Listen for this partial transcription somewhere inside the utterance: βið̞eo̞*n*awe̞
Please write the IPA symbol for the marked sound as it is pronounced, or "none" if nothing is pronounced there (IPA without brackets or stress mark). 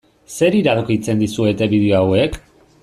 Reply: none